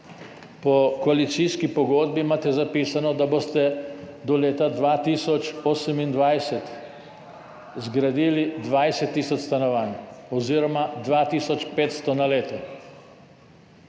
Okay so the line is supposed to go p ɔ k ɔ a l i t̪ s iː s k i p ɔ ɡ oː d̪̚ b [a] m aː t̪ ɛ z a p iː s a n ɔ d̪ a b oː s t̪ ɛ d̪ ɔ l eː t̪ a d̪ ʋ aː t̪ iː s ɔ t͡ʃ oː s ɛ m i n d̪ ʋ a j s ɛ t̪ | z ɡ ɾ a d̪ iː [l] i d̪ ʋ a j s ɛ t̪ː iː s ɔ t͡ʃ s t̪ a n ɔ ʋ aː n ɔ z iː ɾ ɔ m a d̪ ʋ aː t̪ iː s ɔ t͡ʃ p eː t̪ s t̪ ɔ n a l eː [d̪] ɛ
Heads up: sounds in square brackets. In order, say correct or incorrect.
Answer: incorrect: i, correct, incorrect: t̪

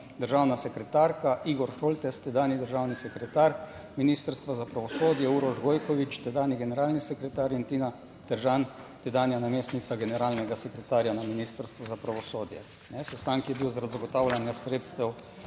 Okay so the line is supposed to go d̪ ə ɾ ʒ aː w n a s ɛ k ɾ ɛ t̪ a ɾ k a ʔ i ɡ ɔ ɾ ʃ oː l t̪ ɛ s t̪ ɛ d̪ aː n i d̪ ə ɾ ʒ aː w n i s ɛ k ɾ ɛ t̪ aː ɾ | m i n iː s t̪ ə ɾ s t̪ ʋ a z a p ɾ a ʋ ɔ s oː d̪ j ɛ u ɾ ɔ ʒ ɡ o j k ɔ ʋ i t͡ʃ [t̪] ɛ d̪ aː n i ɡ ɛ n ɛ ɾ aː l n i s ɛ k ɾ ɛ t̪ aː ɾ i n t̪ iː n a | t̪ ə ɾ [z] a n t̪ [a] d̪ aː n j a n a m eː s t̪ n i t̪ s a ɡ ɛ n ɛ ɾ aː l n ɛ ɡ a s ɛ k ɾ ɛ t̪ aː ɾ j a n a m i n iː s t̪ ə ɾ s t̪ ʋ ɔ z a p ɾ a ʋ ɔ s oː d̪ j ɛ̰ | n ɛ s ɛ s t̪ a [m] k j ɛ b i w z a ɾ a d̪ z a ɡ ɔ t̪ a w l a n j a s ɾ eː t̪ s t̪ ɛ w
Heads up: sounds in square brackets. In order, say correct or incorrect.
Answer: correct, incorrect: ʒ, incorrect: ɛ, incorrect: ŋ

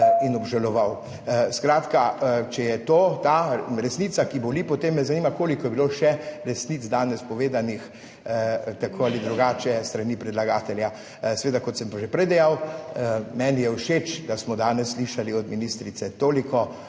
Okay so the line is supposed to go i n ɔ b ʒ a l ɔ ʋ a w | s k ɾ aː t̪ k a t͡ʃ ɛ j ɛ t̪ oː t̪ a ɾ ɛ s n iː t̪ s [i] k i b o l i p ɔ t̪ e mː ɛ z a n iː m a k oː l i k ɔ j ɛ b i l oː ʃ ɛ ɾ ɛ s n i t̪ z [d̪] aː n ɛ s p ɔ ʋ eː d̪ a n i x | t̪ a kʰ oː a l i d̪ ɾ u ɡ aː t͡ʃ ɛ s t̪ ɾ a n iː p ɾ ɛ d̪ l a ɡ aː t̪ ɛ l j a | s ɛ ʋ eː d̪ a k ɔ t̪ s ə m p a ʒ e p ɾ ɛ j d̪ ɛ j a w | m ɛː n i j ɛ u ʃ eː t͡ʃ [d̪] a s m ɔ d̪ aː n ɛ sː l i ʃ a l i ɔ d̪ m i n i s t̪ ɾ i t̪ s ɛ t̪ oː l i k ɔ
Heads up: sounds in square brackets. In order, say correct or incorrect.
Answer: incorrect: a, correct, correct

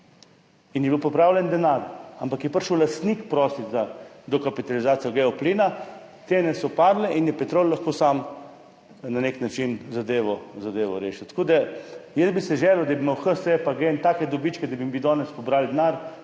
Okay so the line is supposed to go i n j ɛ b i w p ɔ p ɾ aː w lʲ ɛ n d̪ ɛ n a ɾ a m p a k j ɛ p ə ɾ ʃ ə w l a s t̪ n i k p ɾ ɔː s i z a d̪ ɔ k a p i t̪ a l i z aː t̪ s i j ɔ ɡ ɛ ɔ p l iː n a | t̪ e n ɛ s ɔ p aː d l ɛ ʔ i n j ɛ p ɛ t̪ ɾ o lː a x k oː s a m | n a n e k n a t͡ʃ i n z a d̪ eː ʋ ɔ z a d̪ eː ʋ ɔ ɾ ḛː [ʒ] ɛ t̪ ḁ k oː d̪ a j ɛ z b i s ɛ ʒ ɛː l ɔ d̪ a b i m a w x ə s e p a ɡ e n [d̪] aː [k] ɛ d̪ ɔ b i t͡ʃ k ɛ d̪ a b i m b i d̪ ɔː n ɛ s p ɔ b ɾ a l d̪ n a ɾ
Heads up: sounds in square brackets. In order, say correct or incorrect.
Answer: incorrect: ʃ, incorrect: t̪, correct

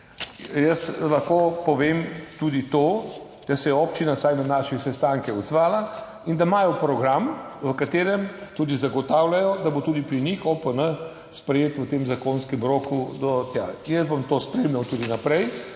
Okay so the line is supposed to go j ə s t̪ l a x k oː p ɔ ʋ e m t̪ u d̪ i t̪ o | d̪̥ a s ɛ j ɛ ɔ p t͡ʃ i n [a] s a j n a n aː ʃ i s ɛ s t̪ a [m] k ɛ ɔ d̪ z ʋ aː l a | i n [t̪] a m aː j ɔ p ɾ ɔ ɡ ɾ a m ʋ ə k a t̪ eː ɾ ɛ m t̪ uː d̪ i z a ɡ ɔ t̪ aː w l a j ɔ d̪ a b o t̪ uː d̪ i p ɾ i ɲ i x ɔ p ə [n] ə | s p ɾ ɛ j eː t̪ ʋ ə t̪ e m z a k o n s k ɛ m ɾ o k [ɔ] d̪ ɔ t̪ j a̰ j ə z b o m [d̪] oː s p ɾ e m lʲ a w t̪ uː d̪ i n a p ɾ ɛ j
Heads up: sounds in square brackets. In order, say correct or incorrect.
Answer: correct, incorrect: ŋ, incorrect: d̪, correct, incorrect: u, incorrect: t̪

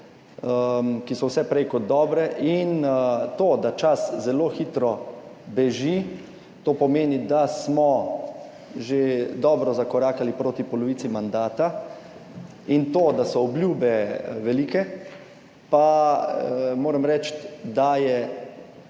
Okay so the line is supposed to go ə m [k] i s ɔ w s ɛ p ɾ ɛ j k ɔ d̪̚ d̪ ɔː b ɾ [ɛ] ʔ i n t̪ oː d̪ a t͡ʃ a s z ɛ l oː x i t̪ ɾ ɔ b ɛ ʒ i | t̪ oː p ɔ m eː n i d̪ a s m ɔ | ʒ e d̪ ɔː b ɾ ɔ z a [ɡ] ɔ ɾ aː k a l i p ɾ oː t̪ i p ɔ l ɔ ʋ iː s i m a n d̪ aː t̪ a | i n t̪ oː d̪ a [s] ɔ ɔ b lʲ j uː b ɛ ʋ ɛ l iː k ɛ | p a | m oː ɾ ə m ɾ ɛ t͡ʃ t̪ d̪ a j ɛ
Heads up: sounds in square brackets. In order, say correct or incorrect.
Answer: correct, correct, incorrect: k, correct

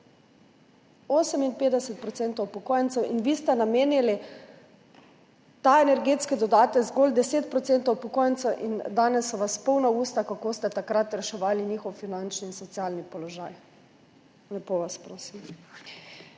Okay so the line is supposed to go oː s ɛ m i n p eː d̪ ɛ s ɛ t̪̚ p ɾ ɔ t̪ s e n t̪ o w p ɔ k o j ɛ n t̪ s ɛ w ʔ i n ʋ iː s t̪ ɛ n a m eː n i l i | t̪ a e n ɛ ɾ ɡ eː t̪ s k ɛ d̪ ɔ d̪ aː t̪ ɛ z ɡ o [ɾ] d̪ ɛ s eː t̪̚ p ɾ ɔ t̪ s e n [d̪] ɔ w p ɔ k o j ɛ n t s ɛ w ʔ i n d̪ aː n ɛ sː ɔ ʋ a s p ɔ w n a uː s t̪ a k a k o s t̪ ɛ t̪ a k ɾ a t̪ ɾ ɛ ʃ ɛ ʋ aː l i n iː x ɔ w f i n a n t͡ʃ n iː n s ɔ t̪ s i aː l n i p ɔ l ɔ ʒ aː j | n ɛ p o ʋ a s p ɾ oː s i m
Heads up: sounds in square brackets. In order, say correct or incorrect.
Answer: incorrect: l, incorrect: t̪

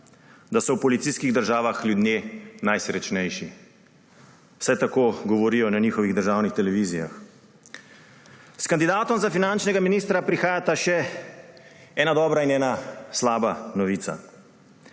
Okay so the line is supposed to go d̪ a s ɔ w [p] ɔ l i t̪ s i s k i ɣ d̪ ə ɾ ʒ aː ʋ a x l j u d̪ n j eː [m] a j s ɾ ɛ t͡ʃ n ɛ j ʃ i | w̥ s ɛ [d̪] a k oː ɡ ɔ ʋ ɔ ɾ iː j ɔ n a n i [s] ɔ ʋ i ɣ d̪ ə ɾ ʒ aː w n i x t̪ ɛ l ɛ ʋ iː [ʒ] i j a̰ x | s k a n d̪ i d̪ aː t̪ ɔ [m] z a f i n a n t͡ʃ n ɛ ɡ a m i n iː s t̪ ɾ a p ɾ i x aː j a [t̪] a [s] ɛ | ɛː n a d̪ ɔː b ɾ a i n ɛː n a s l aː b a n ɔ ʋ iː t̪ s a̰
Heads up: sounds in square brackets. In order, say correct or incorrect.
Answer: correct, incorrect: n, incorrect: t̪, incorrect: x, incorrect: z, correct, correct, incorrect: ʃ

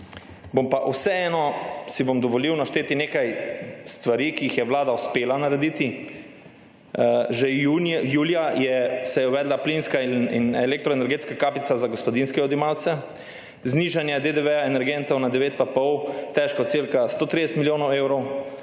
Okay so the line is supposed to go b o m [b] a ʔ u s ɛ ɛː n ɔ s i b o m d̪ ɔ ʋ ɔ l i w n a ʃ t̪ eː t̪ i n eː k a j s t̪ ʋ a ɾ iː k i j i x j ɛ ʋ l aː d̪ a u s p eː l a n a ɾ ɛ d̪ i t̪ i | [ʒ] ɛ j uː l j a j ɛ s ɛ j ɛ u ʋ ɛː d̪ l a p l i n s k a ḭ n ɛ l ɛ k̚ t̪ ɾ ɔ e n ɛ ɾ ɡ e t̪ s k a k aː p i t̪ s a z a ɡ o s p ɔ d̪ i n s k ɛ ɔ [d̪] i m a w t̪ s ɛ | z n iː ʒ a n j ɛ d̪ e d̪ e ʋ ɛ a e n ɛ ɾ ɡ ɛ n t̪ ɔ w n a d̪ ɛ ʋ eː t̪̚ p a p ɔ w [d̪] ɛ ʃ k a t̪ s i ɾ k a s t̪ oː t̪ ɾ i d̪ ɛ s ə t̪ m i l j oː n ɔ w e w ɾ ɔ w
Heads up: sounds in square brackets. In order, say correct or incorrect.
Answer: incorrect: p, correct, correct, incorrect: t̪

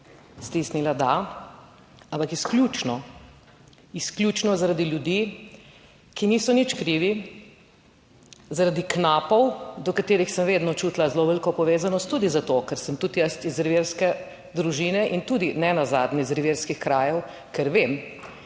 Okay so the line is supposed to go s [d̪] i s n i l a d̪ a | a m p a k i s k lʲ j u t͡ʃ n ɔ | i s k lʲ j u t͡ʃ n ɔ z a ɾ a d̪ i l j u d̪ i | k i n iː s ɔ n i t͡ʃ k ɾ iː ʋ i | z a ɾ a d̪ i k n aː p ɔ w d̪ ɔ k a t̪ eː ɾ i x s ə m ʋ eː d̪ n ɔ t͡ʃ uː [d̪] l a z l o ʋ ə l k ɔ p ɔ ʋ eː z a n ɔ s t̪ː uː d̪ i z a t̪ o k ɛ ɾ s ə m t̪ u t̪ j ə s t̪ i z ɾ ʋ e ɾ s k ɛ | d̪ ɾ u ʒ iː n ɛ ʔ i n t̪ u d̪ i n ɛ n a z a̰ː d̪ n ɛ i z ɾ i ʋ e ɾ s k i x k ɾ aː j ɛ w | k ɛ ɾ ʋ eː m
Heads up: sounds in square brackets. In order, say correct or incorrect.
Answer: incorrect: t̪, incorrect: t̪

